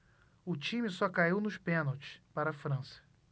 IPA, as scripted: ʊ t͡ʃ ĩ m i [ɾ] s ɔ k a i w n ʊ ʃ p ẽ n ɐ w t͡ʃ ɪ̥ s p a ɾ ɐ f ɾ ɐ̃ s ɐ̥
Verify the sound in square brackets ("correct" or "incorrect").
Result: incorrect